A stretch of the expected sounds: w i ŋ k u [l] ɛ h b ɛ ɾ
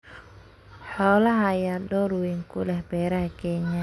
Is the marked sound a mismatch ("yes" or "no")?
no